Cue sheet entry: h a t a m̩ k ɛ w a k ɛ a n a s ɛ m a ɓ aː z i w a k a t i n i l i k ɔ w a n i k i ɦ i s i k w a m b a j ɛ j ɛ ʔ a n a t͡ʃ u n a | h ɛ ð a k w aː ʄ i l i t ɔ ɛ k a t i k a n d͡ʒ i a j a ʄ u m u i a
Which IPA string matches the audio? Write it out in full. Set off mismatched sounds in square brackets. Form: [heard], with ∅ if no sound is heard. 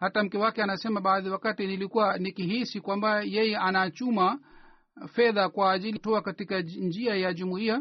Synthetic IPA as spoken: h a t a m̩ k ɛ w a k ɛ a n a s ɛ m a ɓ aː [ð] i w a k a t i n i l i k [u] w a n i k i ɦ i s i k w a m b a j ɛ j ɛ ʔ a n a t͡ʃ u [m] a | [f] ɛ ð a k w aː ʄ i l i t ɔ [a] k a t i k a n d͡ʒ i a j a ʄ u m u i a